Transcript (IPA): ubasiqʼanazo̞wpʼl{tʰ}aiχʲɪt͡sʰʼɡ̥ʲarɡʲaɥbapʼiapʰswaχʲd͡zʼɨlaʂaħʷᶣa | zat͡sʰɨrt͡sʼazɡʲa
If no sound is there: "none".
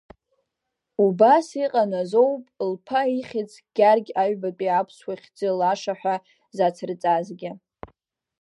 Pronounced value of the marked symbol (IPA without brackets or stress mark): pʰ